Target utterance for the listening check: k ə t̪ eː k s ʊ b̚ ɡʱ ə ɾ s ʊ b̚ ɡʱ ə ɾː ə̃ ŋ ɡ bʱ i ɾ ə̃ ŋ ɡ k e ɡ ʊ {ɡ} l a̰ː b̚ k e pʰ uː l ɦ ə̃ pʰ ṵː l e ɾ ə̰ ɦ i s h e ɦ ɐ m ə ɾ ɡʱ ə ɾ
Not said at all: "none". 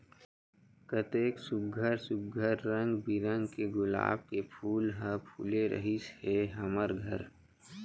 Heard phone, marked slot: none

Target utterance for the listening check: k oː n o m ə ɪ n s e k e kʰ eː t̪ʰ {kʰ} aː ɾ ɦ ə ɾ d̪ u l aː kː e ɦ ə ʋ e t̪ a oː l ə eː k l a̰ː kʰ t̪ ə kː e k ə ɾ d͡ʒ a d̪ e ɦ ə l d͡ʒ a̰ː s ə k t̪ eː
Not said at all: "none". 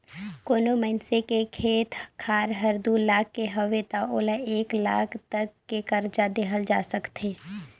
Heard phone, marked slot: kʰ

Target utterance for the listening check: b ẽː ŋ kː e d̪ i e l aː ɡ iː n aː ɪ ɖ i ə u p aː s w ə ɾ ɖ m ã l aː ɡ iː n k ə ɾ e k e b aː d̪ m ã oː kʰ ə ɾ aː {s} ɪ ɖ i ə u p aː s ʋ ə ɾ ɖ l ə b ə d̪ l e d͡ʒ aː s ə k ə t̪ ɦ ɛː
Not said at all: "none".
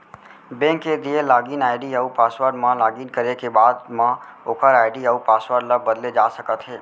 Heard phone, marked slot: none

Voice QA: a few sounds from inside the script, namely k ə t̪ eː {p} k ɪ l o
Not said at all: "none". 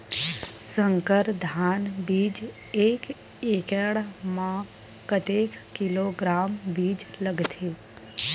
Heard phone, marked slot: k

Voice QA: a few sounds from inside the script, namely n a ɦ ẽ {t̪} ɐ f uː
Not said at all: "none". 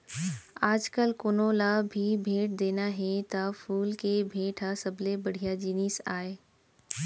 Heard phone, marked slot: t̪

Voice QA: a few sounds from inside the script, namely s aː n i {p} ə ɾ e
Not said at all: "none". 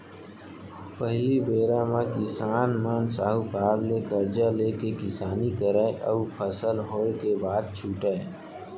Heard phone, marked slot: k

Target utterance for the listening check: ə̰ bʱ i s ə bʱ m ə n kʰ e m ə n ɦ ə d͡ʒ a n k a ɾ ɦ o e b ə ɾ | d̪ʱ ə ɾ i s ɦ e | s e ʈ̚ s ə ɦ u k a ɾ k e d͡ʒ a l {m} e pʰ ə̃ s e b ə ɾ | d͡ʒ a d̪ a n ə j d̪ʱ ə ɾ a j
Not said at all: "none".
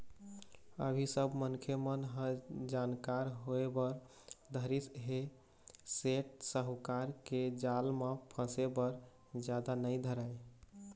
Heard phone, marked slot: m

